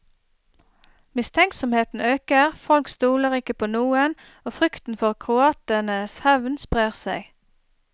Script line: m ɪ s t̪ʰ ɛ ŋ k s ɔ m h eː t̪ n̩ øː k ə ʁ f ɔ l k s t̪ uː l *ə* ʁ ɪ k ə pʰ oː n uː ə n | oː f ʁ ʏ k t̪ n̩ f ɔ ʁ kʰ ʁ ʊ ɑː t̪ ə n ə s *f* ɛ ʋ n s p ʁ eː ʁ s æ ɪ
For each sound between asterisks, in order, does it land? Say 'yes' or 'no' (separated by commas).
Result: yes, no